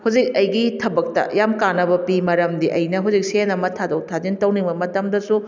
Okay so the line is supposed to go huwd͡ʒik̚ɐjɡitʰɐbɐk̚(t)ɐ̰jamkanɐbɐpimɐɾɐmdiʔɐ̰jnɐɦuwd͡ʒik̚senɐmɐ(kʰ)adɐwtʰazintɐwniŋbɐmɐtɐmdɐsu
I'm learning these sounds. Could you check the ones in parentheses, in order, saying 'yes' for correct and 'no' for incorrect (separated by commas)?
yes, no